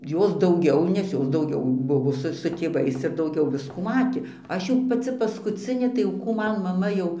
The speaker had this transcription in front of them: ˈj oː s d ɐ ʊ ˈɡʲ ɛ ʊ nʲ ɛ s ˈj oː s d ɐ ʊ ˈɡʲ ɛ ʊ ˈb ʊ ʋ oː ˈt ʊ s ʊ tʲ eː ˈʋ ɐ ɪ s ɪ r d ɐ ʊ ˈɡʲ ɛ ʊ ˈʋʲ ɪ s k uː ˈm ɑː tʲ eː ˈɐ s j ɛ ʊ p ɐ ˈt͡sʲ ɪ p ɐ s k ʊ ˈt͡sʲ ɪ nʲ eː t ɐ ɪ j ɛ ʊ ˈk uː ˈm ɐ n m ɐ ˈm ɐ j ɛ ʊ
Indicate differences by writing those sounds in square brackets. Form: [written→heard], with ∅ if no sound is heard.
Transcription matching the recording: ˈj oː s d ɐ ʊ ˈɡʲ ɛ ʊ nʲ ɛ s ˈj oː s d ɐ ʊ ˈɡʲ ɛ ʊ ˈb ʊ ʋ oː [ˈt→ˈs] ʊ s ʊ tʲ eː ˈʋ ɐ ɪ s ɪ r d ɐ ʊ ˈɡʲ ɛ ʊ ˈʋʲ ɪ s k uː ˈm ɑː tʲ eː ˈɐ [s→ʃ] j ɛ ʊ p ɐ ˈt͡sʲ ɪ p ɐ s k ʊ ˈt͡sʲ ɪ nʲ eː t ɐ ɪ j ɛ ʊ ˈk uː ˈm ɐ n m ɐ ˈm ɐ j ɛ ʊ